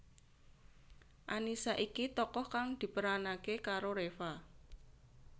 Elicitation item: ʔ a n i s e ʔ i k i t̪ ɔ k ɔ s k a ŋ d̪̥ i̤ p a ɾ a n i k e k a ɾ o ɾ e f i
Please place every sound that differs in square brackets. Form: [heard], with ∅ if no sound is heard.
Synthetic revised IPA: ʔ a n i s [a] ʔ i k i t̪ ɔ k ɔ [h] k a ŋ d̪̥ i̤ p [ə] ɾ a n [a] k e k a ɾ o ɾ e f [a]